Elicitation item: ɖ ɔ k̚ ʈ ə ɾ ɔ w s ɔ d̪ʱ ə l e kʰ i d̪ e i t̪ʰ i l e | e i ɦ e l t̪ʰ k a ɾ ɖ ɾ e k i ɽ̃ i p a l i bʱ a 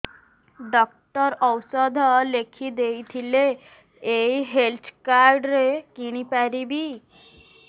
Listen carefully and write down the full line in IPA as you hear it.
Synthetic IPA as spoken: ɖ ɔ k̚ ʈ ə ɾ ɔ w s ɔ d̪ʱ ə l e kʰ i d̪ e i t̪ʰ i l e | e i ɦ e l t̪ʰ k a ɾ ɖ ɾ e k i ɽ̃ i p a ɾ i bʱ i

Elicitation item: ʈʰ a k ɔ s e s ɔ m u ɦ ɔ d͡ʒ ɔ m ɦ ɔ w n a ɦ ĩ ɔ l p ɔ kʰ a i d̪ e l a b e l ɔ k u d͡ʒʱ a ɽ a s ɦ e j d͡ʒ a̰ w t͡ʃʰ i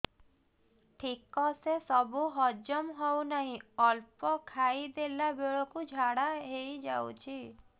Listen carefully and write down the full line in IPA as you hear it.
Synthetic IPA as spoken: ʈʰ i k ɔ s e s ɔ b u ɦ ɔ d͡ʒ ɔ m ɦ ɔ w n a ɦ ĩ ɔ l p ɔ kʰ a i d̪ e l a b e ɭ ɔ k u d͡ʒʱ a ɽ a ɦ e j d͡ʒ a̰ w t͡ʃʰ i

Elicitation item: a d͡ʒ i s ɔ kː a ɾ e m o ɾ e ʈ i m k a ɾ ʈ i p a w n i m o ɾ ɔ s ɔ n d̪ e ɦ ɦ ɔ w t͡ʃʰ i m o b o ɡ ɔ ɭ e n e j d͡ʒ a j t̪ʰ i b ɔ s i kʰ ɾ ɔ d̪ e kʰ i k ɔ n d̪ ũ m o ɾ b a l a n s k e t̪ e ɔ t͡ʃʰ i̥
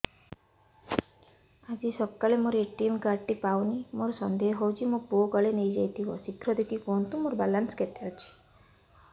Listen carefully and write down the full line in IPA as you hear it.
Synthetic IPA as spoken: a d͡ʒ i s ɔ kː a l e m o ɾ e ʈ i m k a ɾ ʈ i p a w n i m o ɾ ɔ s ɔ n d̪ e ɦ ɦ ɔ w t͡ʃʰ i m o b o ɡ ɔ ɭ e n e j d͡ʒ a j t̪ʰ i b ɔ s i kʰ ɾ ɔ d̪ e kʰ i k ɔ n t̪ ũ m o ɾ b a l a n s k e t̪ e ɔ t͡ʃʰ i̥

